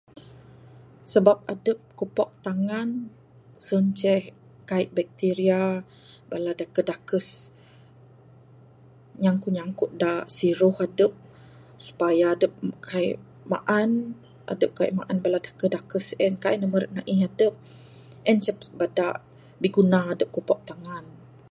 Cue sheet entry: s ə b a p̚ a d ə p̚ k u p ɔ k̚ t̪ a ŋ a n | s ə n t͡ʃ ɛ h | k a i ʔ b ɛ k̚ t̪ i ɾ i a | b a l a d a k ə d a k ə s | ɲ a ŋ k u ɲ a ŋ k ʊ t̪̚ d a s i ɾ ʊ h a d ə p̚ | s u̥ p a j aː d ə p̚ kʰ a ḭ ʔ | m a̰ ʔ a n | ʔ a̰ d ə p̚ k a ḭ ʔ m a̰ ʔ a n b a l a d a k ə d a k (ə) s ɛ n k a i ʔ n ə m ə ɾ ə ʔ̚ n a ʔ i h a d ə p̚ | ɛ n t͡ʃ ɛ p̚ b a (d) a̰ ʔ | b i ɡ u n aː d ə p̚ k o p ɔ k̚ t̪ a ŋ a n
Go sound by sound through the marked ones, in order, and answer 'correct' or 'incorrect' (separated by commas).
correct, correct